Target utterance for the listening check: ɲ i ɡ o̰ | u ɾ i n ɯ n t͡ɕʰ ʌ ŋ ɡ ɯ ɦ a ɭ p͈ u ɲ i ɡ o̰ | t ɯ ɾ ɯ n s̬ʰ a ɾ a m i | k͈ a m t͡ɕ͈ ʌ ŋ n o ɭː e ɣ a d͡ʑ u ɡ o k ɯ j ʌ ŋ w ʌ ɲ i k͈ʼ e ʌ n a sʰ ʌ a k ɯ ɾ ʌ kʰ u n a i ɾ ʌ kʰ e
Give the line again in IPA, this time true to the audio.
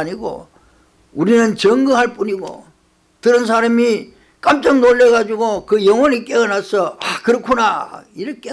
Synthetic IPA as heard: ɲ i ɡ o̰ | u ɾ i n ɯ n t͡ɕ ʌ ŋ ɡ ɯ ɦ a ɭ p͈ u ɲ i ɡ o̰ | t ɯ ɾ ɯ n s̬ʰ a ɾ a m i | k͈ a m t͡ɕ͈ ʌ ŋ n o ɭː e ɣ a d͡ʑ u ɡ o k ɯ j ʌ ŋ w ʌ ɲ i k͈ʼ e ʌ n a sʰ ʌ a k ɯ ɾ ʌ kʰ u n a i ɾ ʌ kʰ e